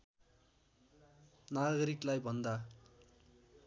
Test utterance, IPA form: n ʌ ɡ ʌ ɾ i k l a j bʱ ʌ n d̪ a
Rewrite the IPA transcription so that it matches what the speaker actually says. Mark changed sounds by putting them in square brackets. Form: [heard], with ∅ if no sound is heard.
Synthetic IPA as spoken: n [a] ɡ ʌ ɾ i k l a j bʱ ʌ n d̪ a

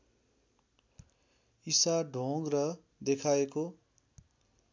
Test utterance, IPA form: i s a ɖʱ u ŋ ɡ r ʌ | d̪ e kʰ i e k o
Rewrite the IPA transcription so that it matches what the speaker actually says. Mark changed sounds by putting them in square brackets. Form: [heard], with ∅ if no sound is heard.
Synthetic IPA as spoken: i s a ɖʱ [o] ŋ ɡ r ʌ | d̪ e kʰ [a] e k o

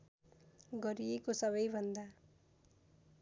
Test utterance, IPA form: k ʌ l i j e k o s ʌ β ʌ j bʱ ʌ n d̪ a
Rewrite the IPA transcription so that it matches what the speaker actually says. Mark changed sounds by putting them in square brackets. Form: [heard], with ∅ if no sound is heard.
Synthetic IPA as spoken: [ɡ] ʌ [ɾ] i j e k o s ʌ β ʌ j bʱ ʌ n d̪ a

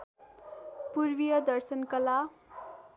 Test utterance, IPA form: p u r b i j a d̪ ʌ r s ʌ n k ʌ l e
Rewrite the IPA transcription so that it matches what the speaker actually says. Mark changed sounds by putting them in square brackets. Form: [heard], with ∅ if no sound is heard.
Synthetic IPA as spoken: p u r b i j [ʌ] d̪ ʌ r s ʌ n k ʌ l [a]

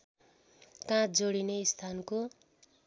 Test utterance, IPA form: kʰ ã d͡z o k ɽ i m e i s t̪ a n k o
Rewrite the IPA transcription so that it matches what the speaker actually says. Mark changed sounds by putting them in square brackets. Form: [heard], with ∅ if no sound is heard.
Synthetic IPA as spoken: [k] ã d͡z o [∅] ɽ i [n] e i s [t̪ʰ] a n k o

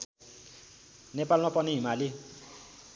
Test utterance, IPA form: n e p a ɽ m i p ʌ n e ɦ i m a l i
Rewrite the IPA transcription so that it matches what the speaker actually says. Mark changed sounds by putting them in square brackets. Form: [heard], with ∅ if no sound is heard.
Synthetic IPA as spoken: n e p a [l] m [a] p ʌ n [i] ɦ i m a l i

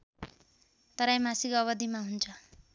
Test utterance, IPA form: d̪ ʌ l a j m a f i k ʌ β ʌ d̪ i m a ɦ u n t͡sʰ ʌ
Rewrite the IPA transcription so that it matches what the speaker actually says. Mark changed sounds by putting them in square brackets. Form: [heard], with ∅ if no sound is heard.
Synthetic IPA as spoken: [t̪] ʌ [ɾ] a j m a [s] i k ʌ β ʌ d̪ i m a ɦ u n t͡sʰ ʌ

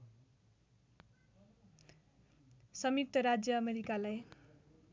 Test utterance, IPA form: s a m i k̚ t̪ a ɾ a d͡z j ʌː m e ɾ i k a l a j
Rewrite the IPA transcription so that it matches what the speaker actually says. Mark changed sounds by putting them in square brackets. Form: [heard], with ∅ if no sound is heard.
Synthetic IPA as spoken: s [ʌ] m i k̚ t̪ [ʌ] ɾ a d͡z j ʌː m e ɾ i k a l a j

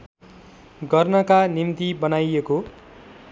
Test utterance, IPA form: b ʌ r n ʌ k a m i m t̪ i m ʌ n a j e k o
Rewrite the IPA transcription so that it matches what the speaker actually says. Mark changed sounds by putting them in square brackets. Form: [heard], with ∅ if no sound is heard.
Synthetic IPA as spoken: [ɡ] ʌ r n ʌ k a [n] i m t̪ i [b] ʌ n a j e k o

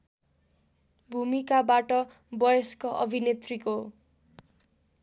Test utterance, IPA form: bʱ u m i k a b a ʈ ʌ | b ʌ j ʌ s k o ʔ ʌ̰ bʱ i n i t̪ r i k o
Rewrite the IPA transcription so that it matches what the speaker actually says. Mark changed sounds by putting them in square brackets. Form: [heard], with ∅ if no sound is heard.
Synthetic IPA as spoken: bʱ u m i k a b a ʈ ʌ | b ʌ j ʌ s k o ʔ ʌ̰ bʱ i n [e] t̪ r i k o

